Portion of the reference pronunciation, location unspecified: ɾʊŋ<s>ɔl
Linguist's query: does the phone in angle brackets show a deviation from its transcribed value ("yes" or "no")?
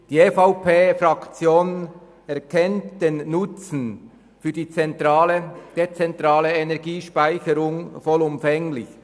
yes